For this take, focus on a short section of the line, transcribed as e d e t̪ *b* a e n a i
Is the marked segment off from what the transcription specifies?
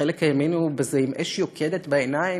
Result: no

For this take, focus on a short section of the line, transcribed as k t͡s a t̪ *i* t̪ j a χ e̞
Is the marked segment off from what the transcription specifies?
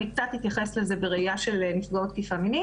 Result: no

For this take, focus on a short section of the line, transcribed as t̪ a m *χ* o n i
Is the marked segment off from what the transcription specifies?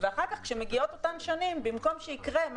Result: yes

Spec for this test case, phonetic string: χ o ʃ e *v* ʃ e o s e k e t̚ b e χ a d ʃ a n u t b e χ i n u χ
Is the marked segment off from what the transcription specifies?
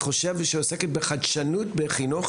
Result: no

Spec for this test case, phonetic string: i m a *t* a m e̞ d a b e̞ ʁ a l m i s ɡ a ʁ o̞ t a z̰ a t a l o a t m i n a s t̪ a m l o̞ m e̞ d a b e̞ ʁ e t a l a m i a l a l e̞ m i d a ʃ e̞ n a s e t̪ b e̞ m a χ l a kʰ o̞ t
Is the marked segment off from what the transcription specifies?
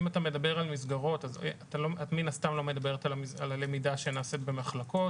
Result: no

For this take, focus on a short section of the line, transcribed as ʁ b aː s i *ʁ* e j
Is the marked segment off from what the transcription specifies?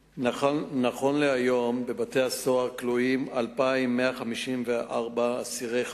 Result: no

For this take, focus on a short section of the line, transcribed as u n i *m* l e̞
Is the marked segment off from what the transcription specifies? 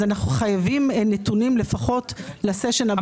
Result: no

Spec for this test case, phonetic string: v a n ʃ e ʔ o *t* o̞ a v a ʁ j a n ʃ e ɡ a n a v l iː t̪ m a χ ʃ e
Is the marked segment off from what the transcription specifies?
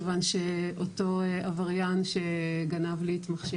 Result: no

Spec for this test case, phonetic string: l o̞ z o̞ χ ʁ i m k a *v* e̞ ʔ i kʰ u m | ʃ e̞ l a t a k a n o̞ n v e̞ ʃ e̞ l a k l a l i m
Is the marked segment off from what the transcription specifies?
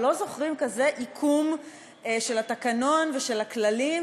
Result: yes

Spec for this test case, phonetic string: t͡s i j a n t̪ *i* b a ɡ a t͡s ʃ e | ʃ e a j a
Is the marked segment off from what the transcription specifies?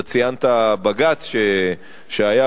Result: yes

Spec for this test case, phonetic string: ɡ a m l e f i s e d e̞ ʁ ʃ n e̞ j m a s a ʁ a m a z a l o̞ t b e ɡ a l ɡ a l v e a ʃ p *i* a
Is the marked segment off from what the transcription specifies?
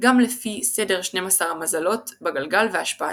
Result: yes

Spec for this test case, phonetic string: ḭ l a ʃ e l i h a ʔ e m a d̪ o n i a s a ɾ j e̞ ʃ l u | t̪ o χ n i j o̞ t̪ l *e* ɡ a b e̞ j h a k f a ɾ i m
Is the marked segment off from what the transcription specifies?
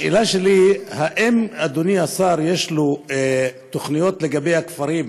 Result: no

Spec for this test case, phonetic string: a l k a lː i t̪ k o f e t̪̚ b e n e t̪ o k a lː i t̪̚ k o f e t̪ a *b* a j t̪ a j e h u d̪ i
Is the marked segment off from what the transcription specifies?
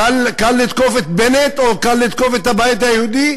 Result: no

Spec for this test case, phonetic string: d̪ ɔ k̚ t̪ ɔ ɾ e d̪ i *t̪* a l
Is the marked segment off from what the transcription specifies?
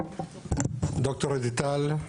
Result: no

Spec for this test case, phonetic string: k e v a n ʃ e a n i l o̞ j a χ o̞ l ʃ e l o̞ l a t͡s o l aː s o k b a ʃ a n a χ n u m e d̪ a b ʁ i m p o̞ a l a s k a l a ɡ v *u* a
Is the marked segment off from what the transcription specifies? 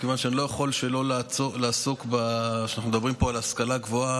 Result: yes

